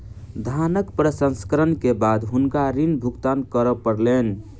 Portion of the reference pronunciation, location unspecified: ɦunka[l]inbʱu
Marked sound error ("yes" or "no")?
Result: yes